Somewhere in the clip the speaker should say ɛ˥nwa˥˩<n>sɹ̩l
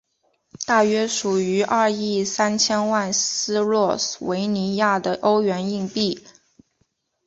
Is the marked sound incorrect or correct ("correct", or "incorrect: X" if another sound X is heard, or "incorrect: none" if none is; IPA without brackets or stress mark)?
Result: correct